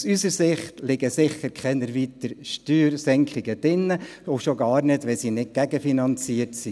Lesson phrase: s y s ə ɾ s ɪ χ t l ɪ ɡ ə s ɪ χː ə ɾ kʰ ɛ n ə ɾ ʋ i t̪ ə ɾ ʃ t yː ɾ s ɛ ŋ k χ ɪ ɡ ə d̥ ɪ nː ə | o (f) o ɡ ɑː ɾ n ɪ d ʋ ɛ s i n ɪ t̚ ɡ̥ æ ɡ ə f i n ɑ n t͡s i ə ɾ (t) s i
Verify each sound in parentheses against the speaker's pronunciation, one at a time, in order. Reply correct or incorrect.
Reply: incorrect: ʃ, correct

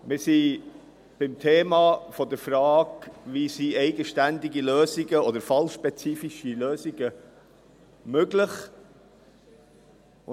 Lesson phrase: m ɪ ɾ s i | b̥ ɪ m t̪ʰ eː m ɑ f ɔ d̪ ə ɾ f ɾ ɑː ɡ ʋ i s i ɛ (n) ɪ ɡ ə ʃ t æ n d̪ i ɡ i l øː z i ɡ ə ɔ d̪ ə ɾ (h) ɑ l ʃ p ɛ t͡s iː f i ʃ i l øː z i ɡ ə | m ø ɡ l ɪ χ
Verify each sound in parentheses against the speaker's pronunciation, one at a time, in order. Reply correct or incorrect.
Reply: incorrect: none, incorrect: f

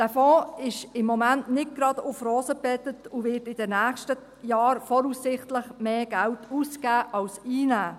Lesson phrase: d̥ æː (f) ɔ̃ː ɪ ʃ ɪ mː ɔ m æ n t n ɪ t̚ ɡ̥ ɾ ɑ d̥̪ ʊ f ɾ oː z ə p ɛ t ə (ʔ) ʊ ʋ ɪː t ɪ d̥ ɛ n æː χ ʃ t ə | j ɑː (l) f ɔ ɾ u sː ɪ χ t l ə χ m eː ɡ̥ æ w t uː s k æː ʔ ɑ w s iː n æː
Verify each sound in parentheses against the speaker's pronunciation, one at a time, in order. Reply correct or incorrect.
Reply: correct, incorrect: t, incorrect: ɾ

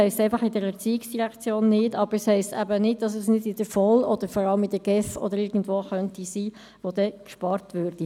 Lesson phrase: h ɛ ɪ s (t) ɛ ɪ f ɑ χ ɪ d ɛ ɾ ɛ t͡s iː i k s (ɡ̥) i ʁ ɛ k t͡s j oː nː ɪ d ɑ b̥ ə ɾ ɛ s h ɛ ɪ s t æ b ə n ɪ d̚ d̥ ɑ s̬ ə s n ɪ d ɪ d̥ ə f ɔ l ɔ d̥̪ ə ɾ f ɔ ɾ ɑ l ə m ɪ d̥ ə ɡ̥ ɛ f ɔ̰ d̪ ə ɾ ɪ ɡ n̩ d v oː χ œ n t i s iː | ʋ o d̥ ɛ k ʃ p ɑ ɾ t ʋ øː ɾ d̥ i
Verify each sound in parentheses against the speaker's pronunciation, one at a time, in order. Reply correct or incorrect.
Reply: correct, incorrect: d̥

